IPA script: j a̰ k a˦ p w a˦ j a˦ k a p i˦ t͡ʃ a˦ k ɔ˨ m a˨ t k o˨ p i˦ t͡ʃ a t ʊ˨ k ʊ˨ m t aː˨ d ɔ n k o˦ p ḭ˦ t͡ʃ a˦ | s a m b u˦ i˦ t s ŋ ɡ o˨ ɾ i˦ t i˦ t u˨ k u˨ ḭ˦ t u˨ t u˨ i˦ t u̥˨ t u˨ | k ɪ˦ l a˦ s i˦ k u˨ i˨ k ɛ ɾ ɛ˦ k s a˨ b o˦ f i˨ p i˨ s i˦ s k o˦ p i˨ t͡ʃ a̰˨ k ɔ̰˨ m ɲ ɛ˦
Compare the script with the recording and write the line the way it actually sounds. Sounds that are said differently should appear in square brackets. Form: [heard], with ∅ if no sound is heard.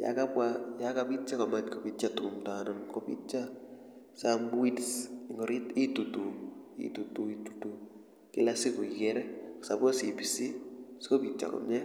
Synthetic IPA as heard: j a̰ k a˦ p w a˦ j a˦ k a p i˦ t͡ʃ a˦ k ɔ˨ m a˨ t k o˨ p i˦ t͡ʃ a t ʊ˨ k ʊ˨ m t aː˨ [n] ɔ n k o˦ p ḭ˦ t͡ʃ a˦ | s a m b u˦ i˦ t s ŋ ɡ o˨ ɾ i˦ t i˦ t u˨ [t] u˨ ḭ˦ t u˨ t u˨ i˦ t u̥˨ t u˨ | k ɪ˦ l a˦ s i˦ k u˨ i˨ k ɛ ɾ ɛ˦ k s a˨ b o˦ [s] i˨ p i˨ s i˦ s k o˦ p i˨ t͡ʃ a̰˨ k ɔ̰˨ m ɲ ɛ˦